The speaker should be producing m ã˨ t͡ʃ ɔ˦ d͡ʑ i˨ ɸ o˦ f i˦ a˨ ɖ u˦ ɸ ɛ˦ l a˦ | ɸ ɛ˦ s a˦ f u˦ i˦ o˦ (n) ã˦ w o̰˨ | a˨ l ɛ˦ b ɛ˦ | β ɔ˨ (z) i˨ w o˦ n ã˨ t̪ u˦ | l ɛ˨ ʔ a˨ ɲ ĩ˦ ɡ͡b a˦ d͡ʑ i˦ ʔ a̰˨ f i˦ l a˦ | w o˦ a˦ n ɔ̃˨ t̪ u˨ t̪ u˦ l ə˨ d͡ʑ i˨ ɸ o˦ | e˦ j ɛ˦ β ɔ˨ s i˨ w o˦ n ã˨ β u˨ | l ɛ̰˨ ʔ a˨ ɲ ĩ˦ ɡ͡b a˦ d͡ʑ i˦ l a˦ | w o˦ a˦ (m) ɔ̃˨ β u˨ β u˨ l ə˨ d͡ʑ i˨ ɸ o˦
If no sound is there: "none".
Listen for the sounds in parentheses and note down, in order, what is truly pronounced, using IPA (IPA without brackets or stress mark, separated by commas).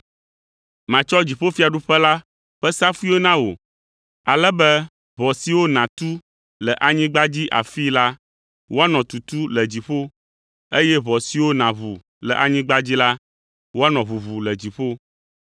n, s, n